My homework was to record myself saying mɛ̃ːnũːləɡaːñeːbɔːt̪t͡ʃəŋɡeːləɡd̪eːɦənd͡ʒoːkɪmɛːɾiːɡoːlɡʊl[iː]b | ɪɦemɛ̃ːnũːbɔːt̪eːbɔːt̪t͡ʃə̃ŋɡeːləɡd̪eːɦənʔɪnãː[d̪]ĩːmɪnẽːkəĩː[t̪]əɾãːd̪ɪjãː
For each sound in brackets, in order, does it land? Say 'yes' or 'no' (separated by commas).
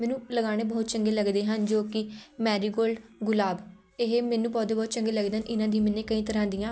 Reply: no, yes, yes